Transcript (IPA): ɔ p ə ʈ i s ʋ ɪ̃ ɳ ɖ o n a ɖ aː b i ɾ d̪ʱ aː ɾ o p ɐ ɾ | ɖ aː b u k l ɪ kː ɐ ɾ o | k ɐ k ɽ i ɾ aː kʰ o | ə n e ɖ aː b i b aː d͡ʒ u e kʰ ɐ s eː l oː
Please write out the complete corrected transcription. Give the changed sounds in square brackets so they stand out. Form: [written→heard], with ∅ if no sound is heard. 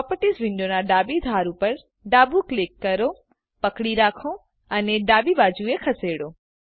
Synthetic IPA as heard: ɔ p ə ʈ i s ʋ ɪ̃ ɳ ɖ o n a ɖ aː b i [ɾ→∅] d̪ʱ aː ɾ [o→u] p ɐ ɾ | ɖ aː b u k l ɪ kː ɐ ɾ o | [k→p] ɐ k ɽ i ɾ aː kʰ o | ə n e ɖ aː b i b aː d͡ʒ u e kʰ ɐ s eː [l→ɽ] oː